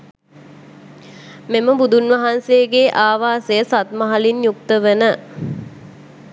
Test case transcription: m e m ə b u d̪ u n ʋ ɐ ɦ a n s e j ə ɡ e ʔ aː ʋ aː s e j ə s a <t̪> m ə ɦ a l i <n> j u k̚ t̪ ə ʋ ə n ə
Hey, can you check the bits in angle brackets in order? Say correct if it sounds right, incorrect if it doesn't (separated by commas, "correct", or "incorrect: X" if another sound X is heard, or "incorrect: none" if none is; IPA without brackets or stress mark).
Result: correct, correct